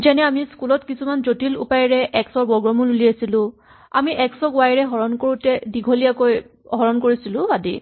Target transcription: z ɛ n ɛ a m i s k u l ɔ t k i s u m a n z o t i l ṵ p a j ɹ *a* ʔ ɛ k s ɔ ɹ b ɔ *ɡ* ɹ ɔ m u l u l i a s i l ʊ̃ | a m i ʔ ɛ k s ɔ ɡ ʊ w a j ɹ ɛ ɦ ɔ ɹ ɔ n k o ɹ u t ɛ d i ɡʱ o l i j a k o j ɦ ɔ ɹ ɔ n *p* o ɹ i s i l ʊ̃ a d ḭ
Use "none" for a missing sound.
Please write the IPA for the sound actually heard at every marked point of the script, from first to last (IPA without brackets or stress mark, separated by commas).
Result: ɛ, ɡ, k